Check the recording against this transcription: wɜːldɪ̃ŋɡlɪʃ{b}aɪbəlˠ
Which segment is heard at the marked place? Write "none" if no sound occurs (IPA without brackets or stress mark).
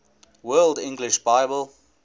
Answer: b